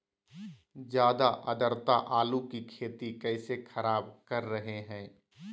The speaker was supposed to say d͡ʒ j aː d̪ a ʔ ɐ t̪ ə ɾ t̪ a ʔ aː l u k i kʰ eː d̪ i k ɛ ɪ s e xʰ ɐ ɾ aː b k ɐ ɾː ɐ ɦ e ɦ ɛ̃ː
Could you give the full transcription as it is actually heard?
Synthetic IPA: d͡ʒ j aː d̪ a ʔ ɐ d̪ ə ɾ t̪ a ʔ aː l u k i kʰ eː t̪ i k ɛ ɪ s e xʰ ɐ ɾ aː b k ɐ ɾː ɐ ɦ e ɦ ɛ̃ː